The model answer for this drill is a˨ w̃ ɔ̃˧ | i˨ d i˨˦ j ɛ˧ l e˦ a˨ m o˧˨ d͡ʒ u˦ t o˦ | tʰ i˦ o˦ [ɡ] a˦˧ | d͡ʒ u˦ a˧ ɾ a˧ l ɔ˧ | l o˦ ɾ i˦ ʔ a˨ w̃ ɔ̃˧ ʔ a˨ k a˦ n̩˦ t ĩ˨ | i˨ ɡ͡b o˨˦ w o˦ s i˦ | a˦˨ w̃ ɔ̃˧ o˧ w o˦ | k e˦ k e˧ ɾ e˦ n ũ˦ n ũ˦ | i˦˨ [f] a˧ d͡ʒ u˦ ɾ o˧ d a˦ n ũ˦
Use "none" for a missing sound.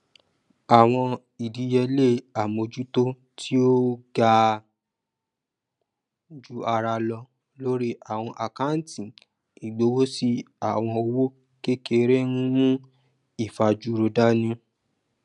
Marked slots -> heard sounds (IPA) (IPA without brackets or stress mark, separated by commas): ɡ, f